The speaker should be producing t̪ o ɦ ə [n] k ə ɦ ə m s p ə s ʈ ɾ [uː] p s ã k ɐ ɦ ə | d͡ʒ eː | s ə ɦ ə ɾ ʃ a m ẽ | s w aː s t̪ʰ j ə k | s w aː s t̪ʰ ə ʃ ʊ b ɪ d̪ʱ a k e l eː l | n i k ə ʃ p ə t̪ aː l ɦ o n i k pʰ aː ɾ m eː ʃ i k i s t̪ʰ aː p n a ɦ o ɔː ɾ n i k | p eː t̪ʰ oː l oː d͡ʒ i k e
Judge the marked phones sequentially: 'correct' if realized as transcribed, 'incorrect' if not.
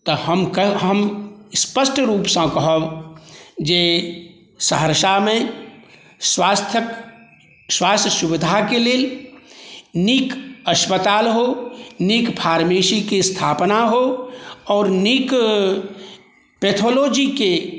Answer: incorrect: m, correct

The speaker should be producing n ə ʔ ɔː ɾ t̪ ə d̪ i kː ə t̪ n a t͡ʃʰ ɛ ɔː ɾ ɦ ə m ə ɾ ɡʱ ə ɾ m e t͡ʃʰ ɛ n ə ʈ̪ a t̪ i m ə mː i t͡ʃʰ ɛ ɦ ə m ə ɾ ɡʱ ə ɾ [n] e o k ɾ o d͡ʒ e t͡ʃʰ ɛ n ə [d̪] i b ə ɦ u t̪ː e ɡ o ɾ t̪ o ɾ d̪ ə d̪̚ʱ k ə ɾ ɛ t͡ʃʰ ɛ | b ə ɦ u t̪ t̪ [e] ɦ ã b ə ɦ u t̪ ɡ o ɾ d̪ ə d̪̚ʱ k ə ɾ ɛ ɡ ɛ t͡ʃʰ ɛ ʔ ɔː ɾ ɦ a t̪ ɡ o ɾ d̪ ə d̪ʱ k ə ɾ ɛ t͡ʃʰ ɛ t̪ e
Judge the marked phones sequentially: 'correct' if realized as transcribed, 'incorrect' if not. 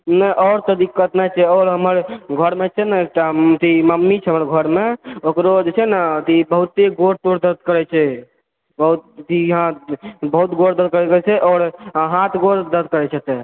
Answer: incorrect: m, incorrect: t̪, incorrect: i

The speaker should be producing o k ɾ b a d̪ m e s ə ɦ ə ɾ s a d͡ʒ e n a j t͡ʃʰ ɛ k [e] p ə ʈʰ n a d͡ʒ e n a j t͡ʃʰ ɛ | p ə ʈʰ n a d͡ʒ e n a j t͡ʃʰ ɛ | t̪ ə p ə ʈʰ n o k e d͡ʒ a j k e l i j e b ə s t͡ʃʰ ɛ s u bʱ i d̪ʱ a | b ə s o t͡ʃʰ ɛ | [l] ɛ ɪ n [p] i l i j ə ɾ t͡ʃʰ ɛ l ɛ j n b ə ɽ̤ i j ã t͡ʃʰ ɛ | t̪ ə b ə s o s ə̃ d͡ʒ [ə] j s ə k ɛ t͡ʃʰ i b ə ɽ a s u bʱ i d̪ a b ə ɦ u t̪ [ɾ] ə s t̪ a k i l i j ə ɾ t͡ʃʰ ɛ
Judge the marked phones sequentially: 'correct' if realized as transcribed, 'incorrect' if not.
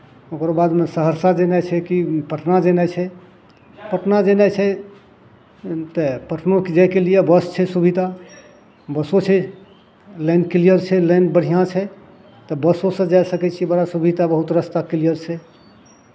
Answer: incorrect: i, correct, incorrect: k, incorrect: a, correct

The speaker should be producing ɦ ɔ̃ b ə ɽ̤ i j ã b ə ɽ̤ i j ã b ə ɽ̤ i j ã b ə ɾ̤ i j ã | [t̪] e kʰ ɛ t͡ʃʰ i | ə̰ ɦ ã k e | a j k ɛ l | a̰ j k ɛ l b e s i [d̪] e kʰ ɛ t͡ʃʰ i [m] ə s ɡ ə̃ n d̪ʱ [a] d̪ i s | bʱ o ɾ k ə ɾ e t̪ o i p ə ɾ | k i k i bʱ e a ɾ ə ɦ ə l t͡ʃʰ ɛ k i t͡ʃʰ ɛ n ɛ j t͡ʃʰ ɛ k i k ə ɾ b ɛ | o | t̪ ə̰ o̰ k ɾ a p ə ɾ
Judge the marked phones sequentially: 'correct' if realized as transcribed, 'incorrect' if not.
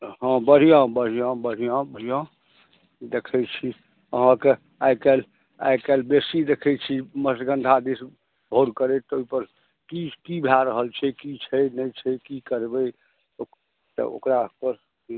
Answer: incorrect: d̪, correct, correct, correct

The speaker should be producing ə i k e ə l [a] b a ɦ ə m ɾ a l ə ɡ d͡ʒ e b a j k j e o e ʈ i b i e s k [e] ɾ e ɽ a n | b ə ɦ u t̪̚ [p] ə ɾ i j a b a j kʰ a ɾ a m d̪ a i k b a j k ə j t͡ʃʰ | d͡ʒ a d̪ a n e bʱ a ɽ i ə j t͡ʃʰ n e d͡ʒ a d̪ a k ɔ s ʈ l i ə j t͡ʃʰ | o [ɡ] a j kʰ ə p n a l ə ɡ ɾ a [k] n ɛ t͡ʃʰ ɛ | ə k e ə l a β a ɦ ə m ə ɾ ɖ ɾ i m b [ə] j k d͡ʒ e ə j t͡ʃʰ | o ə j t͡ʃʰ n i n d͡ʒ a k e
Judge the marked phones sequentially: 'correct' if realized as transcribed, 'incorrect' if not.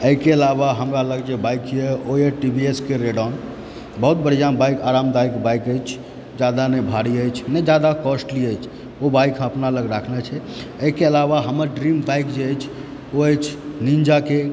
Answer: correct, correct, incorrect: b, incorrect: b, incorrect: kʰ, incorrect: a

